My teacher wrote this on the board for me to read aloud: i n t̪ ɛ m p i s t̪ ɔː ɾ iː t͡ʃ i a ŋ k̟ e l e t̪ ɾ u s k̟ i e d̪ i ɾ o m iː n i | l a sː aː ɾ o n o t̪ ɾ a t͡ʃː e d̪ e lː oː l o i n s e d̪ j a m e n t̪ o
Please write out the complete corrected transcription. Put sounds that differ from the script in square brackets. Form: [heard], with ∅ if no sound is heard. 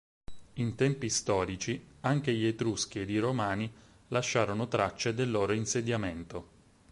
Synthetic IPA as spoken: i n t̪ ɛ m p i s t̪ ɔː ɾ [i] t͡ʃ i a ŋ k̟ e [ʎ] e t̪ ɾ u s k̟ i e d̪ i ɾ o m [aː] n i | l a [ʃː] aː ɾ o n o t̪ ɾ a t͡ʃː e d̪ e lː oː [ɾ] o i n s e d̪ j a m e n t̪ o